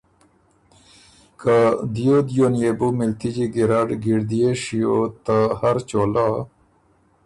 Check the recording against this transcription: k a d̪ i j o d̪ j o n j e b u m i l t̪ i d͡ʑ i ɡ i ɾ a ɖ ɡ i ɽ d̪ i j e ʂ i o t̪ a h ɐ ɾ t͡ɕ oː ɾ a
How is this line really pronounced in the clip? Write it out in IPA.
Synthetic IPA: k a d̪ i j o d̪ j o n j e b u m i l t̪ i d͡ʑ i ɡ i ɾ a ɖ ɡ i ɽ d̪ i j e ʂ i o t̪ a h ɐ ɾ t͡ɕ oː l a